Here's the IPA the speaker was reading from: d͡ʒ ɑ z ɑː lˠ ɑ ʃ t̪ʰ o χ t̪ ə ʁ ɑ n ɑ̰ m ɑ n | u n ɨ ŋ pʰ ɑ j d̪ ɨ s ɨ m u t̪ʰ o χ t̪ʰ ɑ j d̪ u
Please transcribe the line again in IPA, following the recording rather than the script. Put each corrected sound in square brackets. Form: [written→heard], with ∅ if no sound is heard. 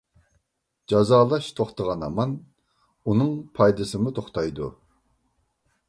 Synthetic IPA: d͡ʒ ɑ z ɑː lˠ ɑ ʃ t̪ʰ o χ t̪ ə ʁ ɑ n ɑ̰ m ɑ n | u n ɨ ŋ pʰ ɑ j d̪ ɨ s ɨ m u t̪ʰ o χ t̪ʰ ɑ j d̪ u